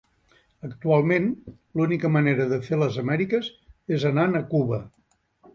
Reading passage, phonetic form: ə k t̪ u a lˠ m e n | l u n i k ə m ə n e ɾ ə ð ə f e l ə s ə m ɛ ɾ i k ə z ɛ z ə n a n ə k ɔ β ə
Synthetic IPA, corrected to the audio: ə k t̪ u a lˠ m e n | l u n i k ə m ə n e ɾ ə ð ə f e l ə z ə m ɛ ɾ i k ə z e z ə n a n ə k u β ə